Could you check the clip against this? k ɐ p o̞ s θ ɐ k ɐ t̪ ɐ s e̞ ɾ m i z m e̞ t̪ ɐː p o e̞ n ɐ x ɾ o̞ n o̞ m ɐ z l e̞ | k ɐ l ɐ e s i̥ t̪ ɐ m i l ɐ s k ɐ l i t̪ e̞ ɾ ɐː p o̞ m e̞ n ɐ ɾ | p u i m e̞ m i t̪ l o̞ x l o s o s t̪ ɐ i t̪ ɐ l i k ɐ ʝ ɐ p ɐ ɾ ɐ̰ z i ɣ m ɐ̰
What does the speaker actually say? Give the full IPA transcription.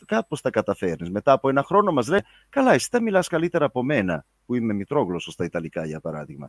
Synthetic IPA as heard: k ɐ p o̞ s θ ɐ k ɐ t̪ ɐ f e̞ ɾ n i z m e̞ t̪ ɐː p o e̞ n ɐ x ɾ o̞ n o̞ m ɐ z l e̞ | k ɐ l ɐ e s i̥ t̪ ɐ m i l ɐ s k ɐ l i t̪ e̞ ɾ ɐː p o̞ m e̞ n ɐ | p u i m e̞ m i t̪ ɾ o̞ ɣ l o s o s t̪ ɐ i t̪ ɐ l i k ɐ ʝ ɐ p ɐ ɾ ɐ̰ ð i ɣ m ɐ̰